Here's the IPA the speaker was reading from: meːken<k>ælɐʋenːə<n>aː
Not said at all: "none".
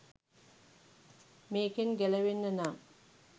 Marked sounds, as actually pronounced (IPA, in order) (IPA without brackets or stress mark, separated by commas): ɡ, n